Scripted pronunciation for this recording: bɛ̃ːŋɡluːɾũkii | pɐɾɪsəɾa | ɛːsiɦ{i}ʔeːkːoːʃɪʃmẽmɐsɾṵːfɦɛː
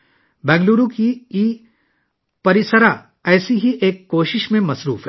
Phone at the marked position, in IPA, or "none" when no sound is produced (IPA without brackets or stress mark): i